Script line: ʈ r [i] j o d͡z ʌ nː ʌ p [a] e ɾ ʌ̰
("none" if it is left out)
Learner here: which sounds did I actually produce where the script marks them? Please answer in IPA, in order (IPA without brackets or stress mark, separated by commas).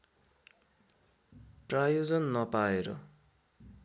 a, a